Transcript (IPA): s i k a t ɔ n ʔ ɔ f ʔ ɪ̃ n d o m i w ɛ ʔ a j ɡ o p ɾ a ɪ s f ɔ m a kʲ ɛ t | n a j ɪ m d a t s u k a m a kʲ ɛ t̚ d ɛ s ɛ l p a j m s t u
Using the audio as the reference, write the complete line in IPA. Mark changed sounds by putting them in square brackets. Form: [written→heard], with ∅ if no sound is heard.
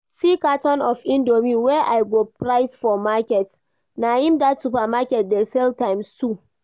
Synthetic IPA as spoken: s i k a t ɔ n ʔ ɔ f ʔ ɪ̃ n d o m i w ɛ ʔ a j ɡ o p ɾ a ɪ s f ɔ m a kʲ ɛ t | n a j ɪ m d a t s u [k→p] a m a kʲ ɛ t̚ d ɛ s ɛ l [p→t] a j m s t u